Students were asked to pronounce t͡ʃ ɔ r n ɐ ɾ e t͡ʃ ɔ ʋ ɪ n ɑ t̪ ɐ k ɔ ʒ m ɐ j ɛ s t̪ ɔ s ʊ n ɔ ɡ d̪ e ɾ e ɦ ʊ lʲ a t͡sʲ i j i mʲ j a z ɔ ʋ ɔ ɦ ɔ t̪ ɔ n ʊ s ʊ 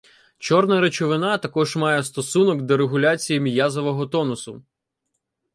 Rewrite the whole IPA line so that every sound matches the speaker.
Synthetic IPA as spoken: t͡ʃ ɔ r n ɐ ɾ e t͡ʃ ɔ ʋ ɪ n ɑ t̪ ɐ k ɔ ʒ m ɑ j ɛ s t̪ ɔ s u n ɔ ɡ d̪ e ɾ e ɦ ʊ lʲ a t͡sʲ i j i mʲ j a z ɔ ʋ ɔ ɦ ɔ t̪ ɔ n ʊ s ʊ